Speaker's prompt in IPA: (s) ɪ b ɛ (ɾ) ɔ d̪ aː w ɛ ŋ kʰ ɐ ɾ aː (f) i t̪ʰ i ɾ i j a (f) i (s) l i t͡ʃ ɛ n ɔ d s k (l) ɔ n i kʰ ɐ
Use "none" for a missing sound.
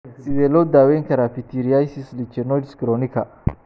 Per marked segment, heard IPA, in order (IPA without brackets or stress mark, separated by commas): s, l, f, s, s, ɾ